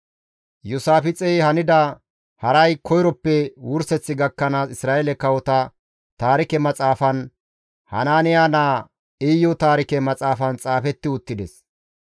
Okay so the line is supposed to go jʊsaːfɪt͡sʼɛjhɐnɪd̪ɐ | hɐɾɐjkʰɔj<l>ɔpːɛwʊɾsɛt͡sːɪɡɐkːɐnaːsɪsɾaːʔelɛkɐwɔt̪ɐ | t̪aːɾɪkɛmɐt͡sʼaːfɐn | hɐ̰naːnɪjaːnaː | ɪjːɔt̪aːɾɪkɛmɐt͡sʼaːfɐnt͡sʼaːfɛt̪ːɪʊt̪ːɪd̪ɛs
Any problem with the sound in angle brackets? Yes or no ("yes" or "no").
yes